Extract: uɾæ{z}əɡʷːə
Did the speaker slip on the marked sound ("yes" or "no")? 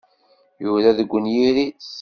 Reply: yes